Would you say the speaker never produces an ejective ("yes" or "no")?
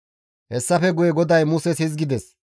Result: yes